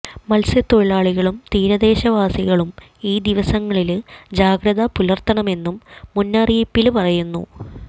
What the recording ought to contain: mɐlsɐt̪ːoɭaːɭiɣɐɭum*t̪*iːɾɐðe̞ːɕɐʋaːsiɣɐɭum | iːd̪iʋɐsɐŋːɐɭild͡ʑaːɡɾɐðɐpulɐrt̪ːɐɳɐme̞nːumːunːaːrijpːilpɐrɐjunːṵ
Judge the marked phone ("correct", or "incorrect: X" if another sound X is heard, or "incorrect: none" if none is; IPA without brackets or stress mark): correct